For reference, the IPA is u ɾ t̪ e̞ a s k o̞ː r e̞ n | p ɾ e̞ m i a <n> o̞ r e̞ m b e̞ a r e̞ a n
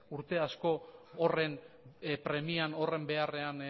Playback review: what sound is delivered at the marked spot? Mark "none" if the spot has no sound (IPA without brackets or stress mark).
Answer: n